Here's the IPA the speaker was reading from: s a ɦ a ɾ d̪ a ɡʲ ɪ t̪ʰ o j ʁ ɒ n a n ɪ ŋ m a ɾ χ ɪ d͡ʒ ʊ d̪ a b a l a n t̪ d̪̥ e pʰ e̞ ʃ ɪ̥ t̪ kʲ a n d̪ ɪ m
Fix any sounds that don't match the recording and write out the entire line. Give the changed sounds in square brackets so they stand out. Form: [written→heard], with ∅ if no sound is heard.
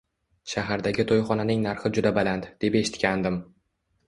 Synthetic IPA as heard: [s→ʃ] a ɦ a ɾ d̪ a ɡʲ ɪ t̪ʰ o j [ʁ→χ] ɒ n a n ɪ ŋ [m→n] a ɾ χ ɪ d͡ʒ ʊ d̪ a b a l a n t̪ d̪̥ e [pʰ→p] e̞ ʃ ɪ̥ t̪ kʲ a n d̪ ɪ m